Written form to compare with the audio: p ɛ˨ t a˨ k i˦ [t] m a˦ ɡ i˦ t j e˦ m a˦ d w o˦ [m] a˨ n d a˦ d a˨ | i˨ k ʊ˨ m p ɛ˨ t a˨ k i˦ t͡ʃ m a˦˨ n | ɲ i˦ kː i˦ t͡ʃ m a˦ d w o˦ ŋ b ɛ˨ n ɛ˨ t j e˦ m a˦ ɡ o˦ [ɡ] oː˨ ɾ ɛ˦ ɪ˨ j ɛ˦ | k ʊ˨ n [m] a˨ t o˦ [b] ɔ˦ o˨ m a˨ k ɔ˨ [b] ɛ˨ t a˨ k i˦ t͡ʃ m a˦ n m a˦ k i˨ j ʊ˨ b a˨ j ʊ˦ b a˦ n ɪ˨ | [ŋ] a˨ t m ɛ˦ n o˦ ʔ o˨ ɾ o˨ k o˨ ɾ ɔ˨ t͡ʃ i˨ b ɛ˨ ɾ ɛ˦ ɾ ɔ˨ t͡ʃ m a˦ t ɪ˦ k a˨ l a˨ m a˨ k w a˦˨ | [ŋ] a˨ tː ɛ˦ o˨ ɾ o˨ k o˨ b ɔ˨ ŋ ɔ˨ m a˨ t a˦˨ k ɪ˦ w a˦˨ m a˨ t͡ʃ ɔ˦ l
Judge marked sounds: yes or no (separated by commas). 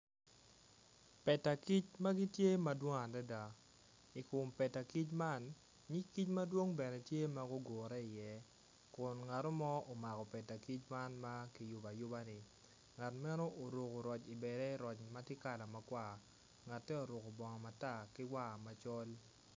no, no, yes, no, no, no, yes, yes